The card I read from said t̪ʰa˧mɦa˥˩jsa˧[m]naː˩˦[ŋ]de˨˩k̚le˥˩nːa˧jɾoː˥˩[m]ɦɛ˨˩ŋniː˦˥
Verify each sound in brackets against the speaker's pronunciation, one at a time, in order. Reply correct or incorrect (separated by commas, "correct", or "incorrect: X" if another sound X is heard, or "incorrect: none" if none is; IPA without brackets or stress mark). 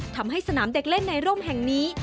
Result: incorrect: none, incorrect: m, correct